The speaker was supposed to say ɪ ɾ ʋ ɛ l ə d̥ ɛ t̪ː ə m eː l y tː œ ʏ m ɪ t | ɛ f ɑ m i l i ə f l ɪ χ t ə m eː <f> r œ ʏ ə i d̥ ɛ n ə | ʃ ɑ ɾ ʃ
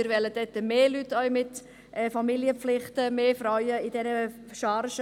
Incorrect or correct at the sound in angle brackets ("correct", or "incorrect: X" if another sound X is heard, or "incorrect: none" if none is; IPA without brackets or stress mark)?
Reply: correct